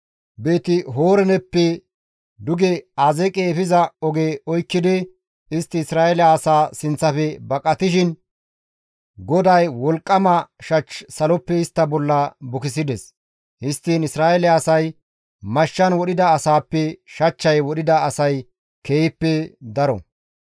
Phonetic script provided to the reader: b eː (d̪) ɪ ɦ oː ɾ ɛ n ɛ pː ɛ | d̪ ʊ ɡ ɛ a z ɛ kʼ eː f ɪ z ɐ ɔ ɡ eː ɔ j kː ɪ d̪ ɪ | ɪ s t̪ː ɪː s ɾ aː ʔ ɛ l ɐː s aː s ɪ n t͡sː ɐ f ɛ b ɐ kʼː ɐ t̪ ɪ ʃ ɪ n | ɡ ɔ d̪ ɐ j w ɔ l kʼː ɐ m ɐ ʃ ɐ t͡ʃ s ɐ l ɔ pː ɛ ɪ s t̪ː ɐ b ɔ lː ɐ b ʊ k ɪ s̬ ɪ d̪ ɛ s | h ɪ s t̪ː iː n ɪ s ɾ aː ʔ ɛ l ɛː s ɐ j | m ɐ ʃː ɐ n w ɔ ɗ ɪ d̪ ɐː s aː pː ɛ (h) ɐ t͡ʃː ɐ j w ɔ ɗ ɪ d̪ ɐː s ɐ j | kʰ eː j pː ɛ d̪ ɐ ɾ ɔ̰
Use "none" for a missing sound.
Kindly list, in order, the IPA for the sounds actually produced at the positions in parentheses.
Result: t̪, ʃ

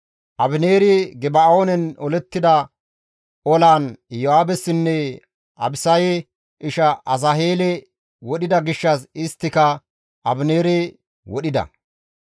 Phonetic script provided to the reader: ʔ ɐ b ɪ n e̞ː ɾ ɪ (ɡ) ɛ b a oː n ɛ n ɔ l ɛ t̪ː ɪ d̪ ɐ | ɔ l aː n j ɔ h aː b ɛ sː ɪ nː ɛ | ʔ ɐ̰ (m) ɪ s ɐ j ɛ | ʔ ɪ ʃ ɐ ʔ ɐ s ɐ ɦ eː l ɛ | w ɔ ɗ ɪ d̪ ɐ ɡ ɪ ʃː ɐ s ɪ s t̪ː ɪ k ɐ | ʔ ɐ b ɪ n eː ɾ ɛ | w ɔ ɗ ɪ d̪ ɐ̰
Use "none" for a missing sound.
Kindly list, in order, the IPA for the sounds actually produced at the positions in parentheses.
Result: ɡ, b

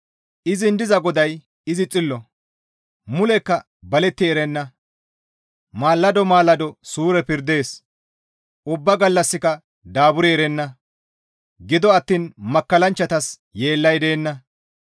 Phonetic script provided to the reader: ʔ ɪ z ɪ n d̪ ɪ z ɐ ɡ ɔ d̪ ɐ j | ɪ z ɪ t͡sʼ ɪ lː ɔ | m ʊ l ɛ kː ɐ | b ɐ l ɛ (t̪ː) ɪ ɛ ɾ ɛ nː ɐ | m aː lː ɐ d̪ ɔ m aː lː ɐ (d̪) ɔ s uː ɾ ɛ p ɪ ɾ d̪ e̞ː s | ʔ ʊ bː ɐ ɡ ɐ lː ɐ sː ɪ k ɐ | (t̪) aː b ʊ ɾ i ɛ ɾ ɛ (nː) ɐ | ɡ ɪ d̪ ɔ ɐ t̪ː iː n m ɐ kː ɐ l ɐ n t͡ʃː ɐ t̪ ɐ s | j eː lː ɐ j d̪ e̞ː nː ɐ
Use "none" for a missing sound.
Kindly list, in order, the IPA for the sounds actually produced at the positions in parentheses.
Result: t̪ː, d̪, d̪, nː

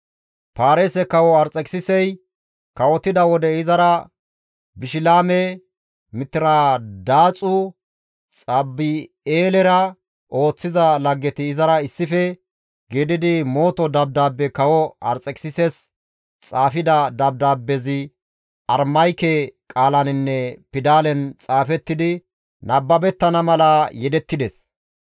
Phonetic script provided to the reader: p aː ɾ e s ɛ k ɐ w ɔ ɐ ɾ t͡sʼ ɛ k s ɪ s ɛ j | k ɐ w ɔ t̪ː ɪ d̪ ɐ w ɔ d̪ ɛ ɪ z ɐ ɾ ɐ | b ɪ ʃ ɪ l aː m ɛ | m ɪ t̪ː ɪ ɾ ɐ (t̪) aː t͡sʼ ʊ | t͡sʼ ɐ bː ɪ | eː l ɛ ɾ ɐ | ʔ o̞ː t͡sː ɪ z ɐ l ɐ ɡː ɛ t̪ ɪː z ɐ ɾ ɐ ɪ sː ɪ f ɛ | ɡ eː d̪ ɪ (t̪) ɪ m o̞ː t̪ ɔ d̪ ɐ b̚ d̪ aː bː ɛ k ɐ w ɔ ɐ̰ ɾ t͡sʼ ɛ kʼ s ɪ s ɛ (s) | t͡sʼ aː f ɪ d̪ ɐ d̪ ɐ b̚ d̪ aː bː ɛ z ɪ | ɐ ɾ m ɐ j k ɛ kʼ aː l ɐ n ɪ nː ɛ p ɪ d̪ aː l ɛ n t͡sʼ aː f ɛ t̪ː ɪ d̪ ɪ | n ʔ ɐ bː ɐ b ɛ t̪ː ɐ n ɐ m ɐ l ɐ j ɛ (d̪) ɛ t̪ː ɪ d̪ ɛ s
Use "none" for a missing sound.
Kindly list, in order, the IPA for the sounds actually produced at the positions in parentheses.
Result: d̪, d̪, s, d̪

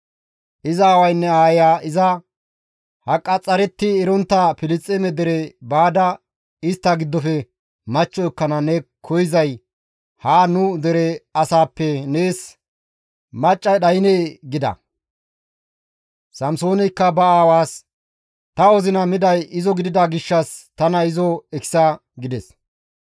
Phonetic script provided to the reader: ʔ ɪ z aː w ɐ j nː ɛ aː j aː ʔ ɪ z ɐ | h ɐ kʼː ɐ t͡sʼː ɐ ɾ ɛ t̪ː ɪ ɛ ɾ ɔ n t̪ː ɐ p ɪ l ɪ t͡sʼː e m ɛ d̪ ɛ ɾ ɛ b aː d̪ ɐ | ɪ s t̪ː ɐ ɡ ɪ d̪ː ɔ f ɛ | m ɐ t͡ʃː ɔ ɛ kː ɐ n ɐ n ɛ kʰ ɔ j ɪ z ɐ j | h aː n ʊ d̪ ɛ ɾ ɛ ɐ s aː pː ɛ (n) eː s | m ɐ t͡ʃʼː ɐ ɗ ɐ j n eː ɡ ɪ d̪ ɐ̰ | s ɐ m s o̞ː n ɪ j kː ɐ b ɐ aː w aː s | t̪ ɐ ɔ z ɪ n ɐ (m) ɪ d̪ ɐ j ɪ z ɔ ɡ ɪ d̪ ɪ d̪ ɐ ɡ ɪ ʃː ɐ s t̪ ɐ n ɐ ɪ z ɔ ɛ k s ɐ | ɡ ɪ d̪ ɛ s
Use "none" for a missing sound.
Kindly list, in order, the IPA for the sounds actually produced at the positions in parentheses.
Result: n, m

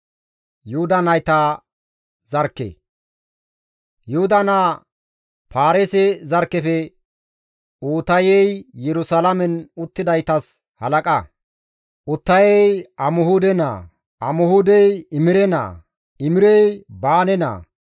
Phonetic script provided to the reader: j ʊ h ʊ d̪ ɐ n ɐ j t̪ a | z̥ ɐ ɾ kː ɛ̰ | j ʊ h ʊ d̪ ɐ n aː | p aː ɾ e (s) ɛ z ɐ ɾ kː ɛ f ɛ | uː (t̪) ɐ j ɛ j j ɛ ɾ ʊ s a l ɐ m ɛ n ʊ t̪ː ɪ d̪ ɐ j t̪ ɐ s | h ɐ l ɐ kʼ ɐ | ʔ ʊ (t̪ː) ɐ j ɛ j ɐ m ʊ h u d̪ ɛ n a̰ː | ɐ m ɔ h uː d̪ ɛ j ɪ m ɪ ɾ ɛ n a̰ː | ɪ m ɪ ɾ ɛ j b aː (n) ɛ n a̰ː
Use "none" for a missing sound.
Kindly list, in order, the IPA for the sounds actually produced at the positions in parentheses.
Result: s, t̪, t̪ː, n

